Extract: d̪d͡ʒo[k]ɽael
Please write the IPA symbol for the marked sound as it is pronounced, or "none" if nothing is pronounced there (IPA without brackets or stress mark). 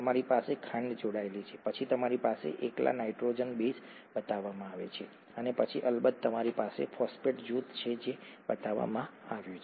none